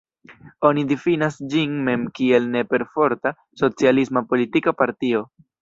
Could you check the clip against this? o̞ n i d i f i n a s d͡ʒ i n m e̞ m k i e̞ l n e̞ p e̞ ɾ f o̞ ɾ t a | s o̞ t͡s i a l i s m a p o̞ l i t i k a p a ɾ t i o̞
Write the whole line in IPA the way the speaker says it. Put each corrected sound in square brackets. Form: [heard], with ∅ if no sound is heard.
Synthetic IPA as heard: o̞ n i d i f i n a s d͡ʒ i n m e̞ m k i e̞ l n e̞ p e̞ ɾ f o̞ ɾ t a | s o̞ t͡s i a l i s m a p o̞ l i t i k a p a ɾ t i o̞